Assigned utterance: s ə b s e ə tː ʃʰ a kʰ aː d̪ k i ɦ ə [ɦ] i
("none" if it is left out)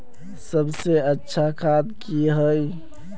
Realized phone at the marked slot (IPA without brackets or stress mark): none